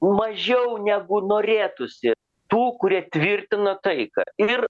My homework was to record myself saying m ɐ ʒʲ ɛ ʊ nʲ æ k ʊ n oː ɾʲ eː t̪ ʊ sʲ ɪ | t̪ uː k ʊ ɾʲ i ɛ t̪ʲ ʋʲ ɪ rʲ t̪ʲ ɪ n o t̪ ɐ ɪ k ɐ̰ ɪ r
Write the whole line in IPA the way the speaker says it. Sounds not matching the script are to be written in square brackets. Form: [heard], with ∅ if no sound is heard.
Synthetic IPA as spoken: m ɐ ʒʲ ɛ ʊ nʲ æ [ɡ] ʊ n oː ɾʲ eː t̪ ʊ sʲ ɪ | t̪ uː k ʊ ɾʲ i ɛ t̪ʲ ʋʲ ɪ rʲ t̪ʲ ɪ n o t̪ ɐ ɪ k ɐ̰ ɪ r